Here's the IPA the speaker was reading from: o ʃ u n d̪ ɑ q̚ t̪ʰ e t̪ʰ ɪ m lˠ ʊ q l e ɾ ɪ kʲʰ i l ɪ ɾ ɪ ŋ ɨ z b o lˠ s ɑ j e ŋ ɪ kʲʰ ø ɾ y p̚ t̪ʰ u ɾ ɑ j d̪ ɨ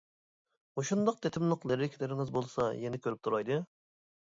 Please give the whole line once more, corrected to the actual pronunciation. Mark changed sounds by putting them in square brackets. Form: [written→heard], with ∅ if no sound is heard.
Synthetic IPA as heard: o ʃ u n d̪ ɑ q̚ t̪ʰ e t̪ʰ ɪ m lˠ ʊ q l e ɾ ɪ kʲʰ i l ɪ ɾ ɪ ŋ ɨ z b o lˠ s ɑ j e [ŋ→n] ɪ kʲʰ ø ɾ y p̚ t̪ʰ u ɾ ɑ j d̪ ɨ